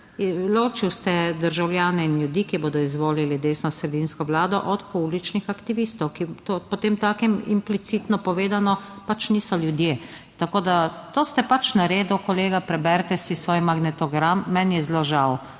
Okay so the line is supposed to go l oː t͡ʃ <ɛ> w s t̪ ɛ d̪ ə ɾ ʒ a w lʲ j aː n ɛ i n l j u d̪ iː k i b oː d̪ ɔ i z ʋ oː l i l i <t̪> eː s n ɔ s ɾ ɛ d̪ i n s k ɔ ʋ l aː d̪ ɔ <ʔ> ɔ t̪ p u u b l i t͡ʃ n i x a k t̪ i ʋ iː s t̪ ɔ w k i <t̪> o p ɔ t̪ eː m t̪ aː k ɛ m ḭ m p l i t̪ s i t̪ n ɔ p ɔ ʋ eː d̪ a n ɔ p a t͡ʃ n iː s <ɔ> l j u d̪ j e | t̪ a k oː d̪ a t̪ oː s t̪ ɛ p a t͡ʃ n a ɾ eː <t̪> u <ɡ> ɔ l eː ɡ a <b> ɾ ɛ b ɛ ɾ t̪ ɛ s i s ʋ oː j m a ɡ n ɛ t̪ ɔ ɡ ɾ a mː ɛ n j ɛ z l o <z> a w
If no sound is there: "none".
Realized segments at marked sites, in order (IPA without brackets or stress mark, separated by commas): i, d̪, ʔ, t̪, ɔ, d̪, k, p, ʒ